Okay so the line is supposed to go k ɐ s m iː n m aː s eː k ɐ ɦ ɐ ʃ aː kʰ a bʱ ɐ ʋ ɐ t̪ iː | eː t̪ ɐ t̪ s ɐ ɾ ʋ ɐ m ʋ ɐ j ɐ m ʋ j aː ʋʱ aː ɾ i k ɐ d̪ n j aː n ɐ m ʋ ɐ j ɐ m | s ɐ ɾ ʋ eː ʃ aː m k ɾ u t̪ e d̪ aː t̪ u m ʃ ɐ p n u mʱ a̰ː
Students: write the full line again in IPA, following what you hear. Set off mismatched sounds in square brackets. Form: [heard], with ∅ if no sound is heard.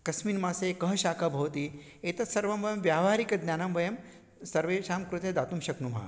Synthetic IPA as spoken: k ɐ s m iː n m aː s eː k ɐ ɦ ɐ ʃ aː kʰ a bʱ ɐ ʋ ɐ t̪ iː | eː t̪ ɐ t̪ s ɐ ɾ ʋ ɐ m ʋ ɐ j ɐ m ʋ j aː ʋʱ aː ɾ i k ɐ d̪ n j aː n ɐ m ʋ ɐ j ɐ m | s ɐ ɾ ʋ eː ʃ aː m k ɾ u t̪ e d̪ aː t̪ u m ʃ ɐ [k] n u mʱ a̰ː